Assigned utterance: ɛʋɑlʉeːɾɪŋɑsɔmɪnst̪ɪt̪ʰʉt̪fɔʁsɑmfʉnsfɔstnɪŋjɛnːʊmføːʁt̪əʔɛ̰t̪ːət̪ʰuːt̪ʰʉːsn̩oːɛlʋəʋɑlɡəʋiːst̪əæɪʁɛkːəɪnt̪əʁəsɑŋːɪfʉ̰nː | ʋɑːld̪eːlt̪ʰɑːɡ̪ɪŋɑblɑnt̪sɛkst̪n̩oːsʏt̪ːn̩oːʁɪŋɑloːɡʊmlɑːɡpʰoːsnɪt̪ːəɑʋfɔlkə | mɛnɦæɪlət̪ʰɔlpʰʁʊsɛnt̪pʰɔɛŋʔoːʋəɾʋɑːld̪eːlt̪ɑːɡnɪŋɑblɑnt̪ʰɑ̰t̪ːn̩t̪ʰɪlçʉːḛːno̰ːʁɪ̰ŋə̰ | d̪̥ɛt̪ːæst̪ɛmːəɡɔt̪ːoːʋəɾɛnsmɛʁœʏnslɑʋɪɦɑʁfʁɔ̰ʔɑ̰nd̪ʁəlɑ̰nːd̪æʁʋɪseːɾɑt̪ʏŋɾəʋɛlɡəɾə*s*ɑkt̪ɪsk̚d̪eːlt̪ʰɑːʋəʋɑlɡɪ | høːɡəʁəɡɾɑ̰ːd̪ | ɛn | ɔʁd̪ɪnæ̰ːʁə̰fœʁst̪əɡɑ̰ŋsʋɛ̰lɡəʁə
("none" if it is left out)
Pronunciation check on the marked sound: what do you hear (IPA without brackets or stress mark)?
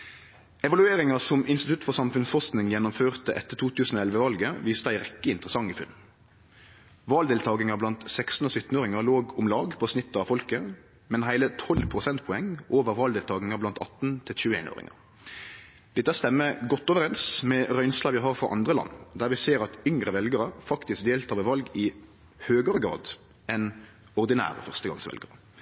f